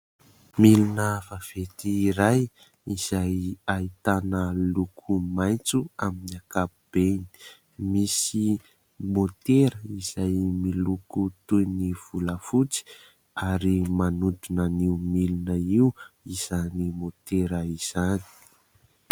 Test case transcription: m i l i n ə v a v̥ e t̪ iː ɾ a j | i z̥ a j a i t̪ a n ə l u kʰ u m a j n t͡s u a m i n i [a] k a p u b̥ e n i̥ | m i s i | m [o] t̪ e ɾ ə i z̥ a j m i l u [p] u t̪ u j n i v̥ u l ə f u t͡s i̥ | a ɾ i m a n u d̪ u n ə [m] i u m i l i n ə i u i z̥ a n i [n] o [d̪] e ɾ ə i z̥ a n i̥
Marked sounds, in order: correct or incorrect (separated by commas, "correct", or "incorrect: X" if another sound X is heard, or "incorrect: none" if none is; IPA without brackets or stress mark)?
correct, correct, incorrect: k, incorrect: n, incorrect: m, incorrect: t̪